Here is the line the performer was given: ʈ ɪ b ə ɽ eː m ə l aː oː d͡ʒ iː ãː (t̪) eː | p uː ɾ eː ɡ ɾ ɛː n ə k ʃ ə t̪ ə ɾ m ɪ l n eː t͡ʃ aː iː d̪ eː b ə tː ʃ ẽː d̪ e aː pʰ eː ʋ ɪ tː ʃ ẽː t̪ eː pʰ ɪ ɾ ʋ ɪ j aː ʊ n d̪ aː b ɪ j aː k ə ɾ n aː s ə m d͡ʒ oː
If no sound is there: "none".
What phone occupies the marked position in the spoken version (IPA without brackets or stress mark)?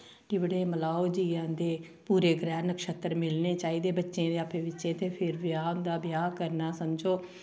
d̪